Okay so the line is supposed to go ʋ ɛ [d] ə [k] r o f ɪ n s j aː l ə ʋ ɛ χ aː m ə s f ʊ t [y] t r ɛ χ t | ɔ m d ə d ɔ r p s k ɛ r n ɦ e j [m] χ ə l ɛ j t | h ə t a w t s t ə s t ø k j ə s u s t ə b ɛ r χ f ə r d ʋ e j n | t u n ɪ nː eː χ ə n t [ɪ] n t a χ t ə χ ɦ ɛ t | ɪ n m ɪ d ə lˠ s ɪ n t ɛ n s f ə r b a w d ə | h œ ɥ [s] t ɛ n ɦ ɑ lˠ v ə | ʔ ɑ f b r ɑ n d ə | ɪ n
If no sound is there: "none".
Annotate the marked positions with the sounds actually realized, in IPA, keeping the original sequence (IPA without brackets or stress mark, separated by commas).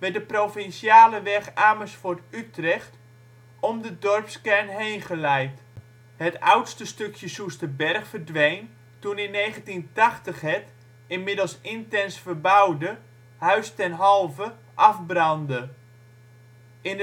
d, p, y, n, i, s